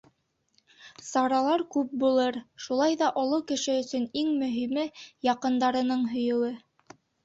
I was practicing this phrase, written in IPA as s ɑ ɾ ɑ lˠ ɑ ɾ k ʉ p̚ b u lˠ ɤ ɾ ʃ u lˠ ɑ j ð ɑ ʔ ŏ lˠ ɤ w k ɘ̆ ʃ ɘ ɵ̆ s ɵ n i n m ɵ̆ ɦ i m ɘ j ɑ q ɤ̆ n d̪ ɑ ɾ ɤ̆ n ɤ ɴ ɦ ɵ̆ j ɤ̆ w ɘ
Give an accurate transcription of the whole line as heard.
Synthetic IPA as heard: s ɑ ɾ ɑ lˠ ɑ ɾ k ʉ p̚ b u lˠ ɤ ɾ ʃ u lˠ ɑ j ð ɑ ʔ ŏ lˠ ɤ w k ɘ̆ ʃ ɘ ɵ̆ s ɵ n i ŋ m ɵ̆ ɦ i m ɘ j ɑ q ɤ̆ n d̪ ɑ ɾ ɤ̆ n ɤ ɴ ɦ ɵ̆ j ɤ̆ w ɘ